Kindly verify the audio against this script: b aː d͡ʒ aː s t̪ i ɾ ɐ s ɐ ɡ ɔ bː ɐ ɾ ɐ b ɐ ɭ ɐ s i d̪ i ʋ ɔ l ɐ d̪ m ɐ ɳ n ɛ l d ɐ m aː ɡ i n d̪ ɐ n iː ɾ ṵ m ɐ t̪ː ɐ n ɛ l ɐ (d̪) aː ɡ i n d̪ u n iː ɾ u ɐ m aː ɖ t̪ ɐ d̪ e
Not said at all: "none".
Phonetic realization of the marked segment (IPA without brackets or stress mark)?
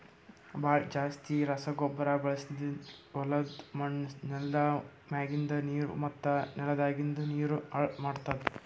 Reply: d̪